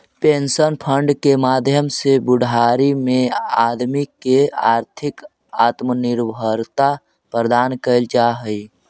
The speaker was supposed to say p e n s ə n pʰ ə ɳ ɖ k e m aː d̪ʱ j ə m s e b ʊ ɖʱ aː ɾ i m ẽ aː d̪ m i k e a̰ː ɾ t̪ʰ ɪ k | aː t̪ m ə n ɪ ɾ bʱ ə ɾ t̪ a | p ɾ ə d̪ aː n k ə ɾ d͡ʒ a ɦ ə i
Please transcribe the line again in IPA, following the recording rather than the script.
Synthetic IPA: p e n s ə n pʰ ə ɳ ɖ k e m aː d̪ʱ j ə m s e b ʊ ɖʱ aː ɾ i m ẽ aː d̪ m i k e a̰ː ɾ t̪ʰ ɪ k | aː t̪ m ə n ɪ ɾ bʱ ə ɾ t̪ a | p ɾ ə d̪ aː n k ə l d͡ʒ a ɦ ə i